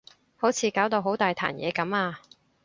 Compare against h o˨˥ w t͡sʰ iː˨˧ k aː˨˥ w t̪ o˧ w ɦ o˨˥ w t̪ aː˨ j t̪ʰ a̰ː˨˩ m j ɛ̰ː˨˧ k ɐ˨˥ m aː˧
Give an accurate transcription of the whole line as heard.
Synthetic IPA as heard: h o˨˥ w t͡sʰ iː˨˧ k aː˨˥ w t̪ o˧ w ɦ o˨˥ w t̪ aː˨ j t̪ʰ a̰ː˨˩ n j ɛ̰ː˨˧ k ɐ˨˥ m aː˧